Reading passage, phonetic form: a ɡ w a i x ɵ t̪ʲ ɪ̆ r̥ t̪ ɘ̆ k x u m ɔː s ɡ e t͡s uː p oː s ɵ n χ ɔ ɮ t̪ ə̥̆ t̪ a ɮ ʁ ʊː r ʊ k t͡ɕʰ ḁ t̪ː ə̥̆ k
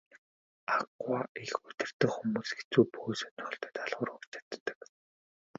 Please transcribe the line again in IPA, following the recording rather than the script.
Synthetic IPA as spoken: a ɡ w a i x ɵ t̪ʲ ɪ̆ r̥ t̪ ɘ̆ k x u m uː s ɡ e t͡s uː p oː s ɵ n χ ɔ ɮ t̪ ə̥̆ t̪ a ɮ ʁ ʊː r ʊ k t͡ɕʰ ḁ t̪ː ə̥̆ k